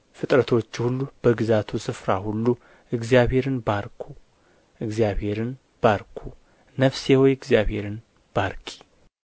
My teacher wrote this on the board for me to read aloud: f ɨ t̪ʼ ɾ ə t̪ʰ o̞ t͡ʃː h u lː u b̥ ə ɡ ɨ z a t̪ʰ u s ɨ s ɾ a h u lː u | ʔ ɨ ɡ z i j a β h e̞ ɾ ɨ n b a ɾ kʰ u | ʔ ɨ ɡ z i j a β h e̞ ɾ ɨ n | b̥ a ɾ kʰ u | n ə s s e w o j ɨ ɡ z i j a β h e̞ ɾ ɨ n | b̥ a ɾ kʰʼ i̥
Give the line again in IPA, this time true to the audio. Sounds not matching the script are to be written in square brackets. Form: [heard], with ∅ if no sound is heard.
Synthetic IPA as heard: f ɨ t̪ʼ ɾ ə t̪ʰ o̞ t͡ʃː h u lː u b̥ ə ɡ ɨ z a t̪ʰ u s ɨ [f] ɾ a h u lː u | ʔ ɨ ɡ z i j a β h e̞ ɾ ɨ n b a ɾ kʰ u | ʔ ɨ ɡ z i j a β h e̞ ɾ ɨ n | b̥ a ɾ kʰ u | n ə [f] s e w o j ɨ ɡ z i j a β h e̞ ɾ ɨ n | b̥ a ɾ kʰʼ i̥

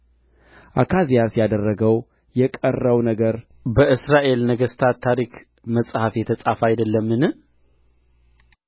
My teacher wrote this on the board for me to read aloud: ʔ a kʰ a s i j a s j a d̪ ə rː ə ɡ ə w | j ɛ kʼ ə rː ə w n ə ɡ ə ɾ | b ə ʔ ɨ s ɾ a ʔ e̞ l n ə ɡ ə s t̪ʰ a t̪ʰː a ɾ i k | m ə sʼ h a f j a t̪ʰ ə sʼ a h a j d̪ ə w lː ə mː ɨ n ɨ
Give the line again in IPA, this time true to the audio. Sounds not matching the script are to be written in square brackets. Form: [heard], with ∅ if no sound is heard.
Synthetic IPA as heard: ʔ a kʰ a [z] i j a s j a d̪ ə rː ə ɡ ə w | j ɛ kʼ ə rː ə w n ə ɡ ə ɾ | b ə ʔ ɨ s ɾ a ʔ e̞ l n ə ɡ ə s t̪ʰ a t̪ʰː a ɾ i k | m ə sʼ h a f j [ɛ] t̪ʰ ə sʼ a [f] a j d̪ ə [∅] lː ə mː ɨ n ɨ

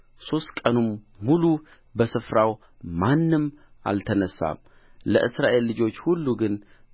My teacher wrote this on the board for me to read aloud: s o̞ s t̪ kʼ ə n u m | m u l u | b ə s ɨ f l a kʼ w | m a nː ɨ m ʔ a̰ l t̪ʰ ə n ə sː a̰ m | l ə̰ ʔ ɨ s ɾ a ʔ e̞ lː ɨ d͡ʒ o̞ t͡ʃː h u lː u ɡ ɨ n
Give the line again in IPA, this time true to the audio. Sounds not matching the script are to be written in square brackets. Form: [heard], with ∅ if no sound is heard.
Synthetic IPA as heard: s o̞ s t̪ kʼ ə n u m | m u l u | b ə s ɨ f [ɾ] a [∅] w | m a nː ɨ m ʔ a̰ l t̪ʰ ə n ə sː a̰ m | l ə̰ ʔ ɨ s ɾ a ʔ e̞ lː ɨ d͡ʒ o̞ t͡ʃː h u lː u ɡ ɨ n

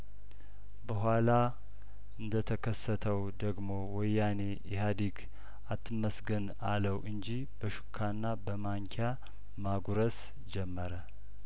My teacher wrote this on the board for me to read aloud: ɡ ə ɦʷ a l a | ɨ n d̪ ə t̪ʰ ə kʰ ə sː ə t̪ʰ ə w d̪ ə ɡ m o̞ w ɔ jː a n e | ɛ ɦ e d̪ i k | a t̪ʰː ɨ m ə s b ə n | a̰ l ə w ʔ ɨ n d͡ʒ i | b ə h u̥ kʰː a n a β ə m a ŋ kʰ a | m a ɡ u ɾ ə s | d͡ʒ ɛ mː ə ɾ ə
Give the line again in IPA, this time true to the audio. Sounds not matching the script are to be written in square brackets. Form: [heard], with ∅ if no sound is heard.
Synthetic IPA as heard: [b] ə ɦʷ a l a | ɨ n d̪ ə t̪ʰ ə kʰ ə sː ə t̪ʰ ə w d̪ ə ɡ m o̞ w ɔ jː a n e | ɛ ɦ [a] d̪ i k | a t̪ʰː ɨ m ə s [ɡ] ə n | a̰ l ə w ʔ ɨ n d͡ʒ i | b ə [ʃ] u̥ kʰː a [nː] a [b] ə m a ŋ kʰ a | m a ɡ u ɾ ə s | d͡ʒ ɛ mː ə ɾ ə

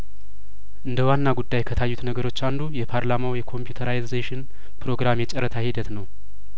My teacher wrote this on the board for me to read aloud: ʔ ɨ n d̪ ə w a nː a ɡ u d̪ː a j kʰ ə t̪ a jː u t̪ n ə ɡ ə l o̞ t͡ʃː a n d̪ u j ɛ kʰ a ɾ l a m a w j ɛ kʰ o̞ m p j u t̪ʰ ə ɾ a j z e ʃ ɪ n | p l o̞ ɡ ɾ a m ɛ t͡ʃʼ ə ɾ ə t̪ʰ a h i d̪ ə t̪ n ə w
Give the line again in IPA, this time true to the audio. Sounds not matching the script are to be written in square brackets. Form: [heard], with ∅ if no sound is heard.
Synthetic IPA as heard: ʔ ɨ n d̪ ə w a nː a ɡ u d̪ː a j kʰ ə [t̪ʰ] a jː u t̪ n ə ɡ ə [ɾ] o̞ t͡ʃː a n d̪ u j ɛ [pʰ] a ɾ l a m a w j ɛ kʰ o̞ m p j u t̪ʰ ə ɾ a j z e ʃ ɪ n | p [ɾ] o̞ ɡ ɾ a m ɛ t͡ʃʼ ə ɾ ə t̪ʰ a h i d̪ ə t̪ n ə w

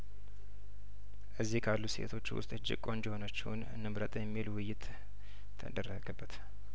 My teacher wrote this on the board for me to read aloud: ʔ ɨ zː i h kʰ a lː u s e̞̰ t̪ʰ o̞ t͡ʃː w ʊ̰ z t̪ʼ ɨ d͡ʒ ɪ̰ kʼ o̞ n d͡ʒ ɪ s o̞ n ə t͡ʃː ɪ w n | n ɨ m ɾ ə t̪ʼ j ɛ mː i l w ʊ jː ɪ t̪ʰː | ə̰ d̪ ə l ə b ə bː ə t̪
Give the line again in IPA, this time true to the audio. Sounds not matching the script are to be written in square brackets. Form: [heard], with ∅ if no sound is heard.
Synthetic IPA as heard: ʔ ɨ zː i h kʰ a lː u s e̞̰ t̪ʰ o̞ t͡ʃː w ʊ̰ [s] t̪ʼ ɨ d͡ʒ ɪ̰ kʼ o̞ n d͡ʒ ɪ [h] o̞ n ə t͡ʃː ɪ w n | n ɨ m ɾ ə t̪ʼ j ɛ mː i l w ʊ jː ɪ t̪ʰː | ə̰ d̪ ə [r] ə [ɡ] ə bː ə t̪

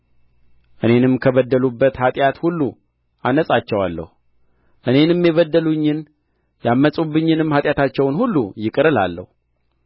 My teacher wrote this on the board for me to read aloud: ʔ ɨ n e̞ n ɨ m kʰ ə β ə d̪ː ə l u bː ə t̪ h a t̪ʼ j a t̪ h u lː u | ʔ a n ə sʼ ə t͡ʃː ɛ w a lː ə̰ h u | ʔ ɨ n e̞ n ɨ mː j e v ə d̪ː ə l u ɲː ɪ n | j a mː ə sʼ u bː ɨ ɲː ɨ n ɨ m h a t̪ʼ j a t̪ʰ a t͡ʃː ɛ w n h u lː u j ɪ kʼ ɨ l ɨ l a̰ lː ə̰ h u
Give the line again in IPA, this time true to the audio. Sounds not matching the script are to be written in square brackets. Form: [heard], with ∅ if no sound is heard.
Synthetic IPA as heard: ʔ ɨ n e̞ n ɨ m kʰ ə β ə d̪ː ə l u bː ə t̪ h a t̪ʼ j a t̪ h u lː u | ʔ a n ə sʼ [a] t͡ʃː ɛ w a lː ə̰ h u | ʔ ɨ n e̞ n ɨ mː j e [β] ə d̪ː ə l u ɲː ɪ n | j a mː ə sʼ u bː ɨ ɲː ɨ n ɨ m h a t̪ʼ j a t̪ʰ a t͡ʃː ɛ w n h u lː u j ɪ kʼ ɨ [ɾ] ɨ l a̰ lː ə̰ h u

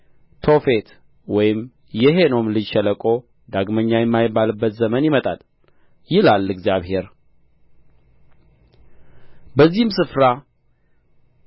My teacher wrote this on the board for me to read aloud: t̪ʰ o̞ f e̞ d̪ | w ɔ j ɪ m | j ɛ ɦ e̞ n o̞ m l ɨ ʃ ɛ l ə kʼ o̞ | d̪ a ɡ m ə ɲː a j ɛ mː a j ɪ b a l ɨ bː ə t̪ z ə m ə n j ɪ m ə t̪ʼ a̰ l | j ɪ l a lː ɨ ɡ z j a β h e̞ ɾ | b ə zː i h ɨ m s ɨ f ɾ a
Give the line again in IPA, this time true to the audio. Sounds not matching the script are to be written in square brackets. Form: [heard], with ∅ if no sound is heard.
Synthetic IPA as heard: t̪ʰ o̞ f e̞ [t̪] | w ɔ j ɪ m | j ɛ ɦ e̞ n o̞ m l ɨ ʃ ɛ l ə kʼ o̞ | d̪ a ɡ m ə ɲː a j ɛ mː a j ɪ b a l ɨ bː ə t̪ z ə m ə n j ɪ m ə t̪ʼ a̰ l | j ɪ l a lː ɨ ɡ z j a β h e̞ ɾ | b ə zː i h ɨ m s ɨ f ɾ a

